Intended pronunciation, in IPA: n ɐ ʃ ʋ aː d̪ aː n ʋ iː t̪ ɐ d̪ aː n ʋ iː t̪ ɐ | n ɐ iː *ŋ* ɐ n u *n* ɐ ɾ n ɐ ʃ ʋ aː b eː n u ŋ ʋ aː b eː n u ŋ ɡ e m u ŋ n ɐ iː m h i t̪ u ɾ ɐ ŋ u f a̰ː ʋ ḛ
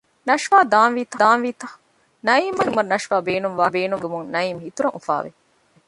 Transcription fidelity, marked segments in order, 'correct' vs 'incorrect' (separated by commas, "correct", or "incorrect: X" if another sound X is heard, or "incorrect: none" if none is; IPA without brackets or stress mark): incorrect: m, incorrect: m